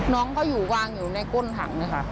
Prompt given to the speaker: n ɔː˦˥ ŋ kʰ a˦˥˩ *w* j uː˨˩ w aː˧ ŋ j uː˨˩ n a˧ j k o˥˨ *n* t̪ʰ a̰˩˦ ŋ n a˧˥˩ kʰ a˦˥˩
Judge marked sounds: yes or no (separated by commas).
yes, yes